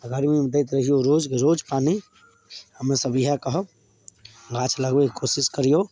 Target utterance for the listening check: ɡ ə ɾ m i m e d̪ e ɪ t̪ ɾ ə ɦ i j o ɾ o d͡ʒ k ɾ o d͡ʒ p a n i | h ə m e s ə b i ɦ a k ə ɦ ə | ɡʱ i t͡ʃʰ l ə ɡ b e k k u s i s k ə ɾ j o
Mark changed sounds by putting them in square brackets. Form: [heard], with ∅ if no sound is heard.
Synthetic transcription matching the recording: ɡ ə ɾ m i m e d̪ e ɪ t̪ ɾ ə ɦ i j o ɾ o d͡ʒ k ɾ o d͡ʒ p a n i | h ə m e s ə b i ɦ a k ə ɦ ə | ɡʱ [a] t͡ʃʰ l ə ɡ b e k k [o] s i s k ə ɾ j o